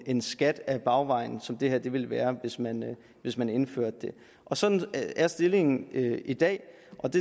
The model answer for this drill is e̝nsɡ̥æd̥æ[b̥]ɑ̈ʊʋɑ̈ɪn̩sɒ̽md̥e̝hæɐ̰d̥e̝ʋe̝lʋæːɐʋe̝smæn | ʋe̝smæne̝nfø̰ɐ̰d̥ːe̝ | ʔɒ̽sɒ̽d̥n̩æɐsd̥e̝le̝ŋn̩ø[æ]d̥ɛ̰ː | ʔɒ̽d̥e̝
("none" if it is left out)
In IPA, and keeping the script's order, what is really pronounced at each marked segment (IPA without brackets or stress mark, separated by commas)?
b̥, i